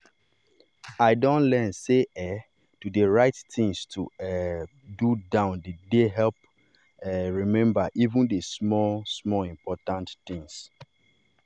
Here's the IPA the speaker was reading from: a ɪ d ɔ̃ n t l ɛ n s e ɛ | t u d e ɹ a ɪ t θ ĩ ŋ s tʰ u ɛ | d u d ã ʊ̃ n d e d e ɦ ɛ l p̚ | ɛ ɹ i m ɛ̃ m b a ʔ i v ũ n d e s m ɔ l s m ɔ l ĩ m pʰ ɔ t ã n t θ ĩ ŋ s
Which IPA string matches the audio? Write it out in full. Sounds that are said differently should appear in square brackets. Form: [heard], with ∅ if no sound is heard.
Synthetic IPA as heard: a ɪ d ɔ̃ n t l ɛ n s e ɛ | t u d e ɹ a ɪ t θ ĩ ŋ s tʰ u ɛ | d u d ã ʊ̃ n d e d e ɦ ɛ l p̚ | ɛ ɹ i m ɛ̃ m b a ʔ i v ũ n d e s m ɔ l s m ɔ l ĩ m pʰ ɔ t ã n t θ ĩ ŋ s